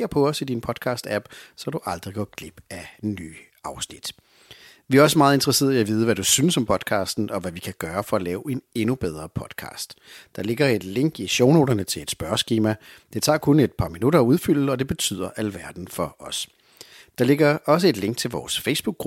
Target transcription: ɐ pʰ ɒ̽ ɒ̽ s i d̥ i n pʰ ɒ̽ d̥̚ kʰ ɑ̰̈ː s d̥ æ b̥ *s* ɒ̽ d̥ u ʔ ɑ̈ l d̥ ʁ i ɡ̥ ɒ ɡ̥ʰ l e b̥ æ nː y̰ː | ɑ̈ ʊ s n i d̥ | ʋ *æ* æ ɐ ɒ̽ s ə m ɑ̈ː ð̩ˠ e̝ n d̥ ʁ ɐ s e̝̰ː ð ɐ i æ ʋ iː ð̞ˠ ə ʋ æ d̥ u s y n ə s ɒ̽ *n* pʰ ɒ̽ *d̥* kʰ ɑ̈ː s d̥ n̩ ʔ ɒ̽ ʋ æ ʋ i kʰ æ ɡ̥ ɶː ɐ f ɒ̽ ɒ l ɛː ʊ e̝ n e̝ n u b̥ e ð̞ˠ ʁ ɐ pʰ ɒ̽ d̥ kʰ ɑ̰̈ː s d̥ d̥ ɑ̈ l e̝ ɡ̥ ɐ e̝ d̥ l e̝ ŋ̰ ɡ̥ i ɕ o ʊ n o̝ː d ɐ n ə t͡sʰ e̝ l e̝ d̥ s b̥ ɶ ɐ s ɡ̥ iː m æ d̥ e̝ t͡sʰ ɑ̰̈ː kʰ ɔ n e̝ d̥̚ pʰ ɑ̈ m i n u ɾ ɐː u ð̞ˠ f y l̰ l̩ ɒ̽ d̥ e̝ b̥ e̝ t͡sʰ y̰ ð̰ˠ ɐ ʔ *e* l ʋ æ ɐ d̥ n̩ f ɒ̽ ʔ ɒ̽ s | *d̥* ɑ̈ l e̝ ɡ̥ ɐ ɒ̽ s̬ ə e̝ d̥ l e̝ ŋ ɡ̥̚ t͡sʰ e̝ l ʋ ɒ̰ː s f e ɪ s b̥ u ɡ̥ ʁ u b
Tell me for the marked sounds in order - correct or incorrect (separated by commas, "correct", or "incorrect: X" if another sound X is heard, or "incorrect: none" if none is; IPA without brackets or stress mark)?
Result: correct, incorrect: i, incorrect: m, correct, incorrect: æ, correct